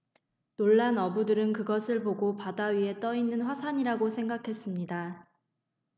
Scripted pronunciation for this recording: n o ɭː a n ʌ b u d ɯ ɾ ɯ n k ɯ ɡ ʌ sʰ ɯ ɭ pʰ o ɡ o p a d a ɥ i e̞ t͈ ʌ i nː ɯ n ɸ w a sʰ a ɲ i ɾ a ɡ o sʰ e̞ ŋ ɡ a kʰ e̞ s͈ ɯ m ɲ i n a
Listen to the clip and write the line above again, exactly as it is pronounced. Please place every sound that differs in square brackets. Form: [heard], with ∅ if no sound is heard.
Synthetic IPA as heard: n o ɭː a n ʌ b u d ɯ ɾ ɯ n k ɯ ɡ ʌ sʰ ɯ ɭ [p] o ɡ o p a d a ɥ i e̞ t͈ ʌ i nː ɯ n ɸ w a sʰ a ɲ i ɾ a ɡ o sʰ e̞ ŋ ɡ a kʰ e̞ s͈ ɯ m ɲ i [d] a